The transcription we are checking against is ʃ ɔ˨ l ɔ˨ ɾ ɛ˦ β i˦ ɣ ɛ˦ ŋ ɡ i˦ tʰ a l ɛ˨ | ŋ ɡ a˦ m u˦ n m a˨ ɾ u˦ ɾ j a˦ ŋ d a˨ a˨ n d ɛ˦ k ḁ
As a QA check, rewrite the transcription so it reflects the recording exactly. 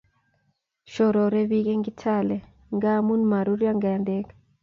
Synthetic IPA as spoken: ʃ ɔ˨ ɾ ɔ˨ ɾ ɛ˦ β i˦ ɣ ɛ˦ ŋ ɡ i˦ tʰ a l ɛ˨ | ŋ ɡ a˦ m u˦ n m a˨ ɾ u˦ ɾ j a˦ ŋ ɡ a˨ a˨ n d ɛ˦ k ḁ